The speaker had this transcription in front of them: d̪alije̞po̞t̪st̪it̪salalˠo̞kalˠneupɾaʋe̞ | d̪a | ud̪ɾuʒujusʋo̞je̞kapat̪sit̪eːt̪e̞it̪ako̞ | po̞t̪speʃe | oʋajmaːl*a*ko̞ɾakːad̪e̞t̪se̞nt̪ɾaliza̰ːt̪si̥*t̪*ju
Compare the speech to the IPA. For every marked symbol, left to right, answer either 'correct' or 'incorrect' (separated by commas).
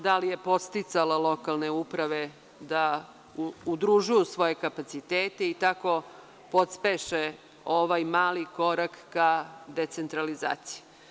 incorrect, incorrect